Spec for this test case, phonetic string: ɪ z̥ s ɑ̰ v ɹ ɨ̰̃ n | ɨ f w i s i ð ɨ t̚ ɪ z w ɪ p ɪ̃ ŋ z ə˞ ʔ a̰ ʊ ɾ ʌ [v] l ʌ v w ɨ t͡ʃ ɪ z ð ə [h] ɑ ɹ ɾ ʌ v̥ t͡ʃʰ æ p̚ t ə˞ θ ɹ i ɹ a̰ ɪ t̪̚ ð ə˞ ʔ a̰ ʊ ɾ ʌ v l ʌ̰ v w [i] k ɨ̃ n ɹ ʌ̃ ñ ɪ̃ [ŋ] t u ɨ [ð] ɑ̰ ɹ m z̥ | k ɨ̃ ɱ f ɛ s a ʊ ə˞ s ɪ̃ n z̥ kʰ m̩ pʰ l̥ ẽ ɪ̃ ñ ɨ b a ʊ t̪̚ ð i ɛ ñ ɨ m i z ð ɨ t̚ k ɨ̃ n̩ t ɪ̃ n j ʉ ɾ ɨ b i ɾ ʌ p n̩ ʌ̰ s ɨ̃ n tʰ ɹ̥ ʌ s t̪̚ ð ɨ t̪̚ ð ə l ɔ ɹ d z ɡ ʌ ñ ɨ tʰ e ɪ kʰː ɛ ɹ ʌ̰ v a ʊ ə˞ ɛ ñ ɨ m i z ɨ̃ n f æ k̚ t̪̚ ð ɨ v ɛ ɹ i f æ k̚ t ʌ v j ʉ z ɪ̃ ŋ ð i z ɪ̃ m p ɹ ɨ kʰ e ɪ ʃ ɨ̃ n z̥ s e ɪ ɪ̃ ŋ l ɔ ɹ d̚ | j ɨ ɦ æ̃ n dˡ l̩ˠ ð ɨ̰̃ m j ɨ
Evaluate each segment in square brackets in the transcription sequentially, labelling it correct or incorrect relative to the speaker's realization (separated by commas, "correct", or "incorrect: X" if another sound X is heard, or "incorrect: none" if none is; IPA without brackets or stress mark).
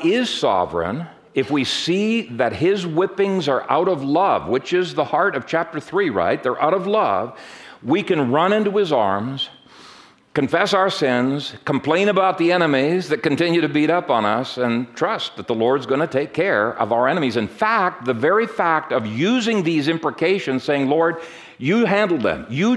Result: correct, correct, correct, incorrect: n, incorrect: z